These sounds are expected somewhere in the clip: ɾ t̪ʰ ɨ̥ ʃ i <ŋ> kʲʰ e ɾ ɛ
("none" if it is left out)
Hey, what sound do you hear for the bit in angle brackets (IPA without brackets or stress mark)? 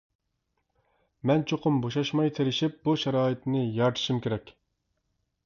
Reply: m